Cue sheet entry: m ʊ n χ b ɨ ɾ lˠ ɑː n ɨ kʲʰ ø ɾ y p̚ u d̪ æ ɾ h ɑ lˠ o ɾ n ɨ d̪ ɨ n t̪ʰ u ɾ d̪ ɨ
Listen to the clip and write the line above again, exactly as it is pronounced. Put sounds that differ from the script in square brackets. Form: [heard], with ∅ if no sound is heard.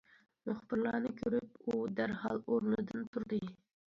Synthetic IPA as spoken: m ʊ [∅] χ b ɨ ɾ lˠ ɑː n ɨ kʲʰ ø ɾ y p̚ u d̪ æ ɾ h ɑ lˠ o ɾ n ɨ d̪ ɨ n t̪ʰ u ɾ d̪ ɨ